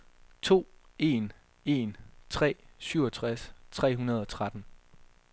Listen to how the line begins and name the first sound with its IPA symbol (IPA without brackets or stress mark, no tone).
t͡sʰ